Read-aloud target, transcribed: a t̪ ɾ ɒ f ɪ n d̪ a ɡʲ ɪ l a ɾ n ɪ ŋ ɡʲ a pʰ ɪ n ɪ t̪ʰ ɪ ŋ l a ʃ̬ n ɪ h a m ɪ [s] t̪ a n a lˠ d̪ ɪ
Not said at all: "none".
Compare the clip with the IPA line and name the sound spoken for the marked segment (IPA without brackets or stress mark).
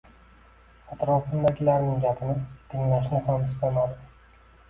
s